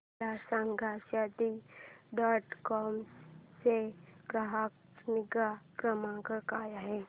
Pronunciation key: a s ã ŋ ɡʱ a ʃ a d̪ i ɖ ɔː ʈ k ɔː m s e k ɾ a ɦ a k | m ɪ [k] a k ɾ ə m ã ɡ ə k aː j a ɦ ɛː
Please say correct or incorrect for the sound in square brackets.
incorrect